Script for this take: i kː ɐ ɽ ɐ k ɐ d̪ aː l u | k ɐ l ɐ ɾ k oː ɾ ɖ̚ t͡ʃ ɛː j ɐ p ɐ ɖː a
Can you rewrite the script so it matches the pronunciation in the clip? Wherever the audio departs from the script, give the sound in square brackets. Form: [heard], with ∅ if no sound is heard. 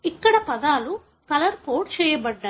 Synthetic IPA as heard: i kː ɐ ɽ ɐ [p] ɐ d̪ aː l u | k ɐ l ɐ ɾ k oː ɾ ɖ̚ t͡ʃ ɛː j ɐ [b] ɐ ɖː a